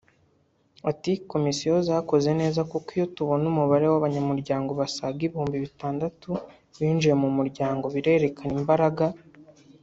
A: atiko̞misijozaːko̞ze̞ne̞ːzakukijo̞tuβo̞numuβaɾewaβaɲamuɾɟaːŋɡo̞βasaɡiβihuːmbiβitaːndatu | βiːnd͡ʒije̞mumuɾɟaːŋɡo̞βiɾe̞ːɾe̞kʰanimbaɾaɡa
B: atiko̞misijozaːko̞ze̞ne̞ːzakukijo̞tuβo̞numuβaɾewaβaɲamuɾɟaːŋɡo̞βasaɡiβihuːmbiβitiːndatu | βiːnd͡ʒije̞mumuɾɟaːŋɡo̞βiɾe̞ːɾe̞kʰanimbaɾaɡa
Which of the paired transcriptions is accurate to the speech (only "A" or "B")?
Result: A